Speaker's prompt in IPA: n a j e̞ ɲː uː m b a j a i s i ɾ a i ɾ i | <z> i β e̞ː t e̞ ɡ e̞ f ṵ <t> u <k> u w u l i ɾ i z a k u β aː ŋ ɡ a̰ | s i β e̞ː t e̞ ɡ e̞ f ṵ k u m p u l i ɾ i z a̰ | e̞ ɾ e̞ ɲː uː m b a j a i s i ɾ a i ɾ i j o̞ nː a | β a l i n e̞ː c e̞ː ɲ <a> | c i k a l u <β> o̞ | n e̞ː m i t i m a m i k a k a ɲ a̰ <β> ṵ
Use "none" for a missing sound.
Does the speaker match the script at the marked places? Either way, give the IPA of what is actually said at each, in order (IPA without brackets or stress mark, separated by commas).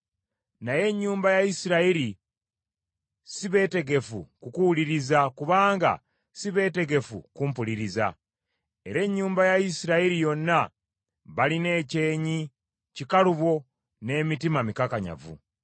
s, k, k, i, β, v